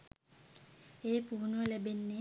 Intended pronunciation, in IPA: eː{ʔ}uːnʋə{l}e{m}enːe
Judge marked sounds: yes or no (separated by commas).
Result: no, yes, no